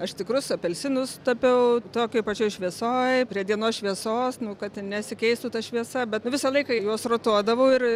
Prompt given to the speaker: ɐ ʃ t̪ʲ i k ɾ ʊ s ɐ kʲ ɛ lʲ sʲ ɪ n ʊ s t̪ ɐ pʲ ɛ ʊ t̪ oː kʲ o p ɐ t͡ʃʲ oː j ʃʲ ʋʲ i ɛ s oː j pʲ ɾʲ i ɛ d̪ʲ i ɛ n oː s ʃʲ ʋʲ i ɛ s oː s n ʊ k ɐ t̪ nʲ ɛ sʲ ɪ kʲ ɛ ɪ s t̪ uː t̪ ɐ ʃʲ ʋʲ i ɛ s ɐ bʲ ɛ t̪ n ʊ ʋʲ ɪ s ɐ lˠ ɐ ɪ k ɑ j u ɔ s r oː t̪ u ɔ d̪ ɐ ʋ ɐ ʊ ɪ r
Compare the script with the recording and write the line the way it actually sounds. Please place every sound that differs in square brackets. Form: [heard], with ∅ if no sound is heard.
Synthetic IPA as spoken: ɐ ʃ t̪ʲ [ɪ] k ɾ ʊ s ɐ [pʲ] ɛ lʲ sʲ ɪ n ʊ s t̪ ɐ pʲ ɛ ʊ t̪ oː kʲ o p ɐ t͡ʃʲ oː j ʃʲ ʋʲ i ɛ s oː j pʲ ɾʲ i ɛ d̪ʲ i ɛ n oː s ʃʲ ʋʲ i ɛ s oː s n ʊ k ɐ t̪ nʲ ɛ sʲ ɪ kʲ ɛ ɪ s t̪ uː t̪ ɐ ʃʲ ʋʲ i ɛ s ɐ bʲ ɛ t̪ n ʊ ʋʲ ɪ s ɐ lˠ ɐ ɪ k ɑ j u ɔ s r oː t̪ u ɔ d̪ ɐ ʋ ɐ ʊ ɪ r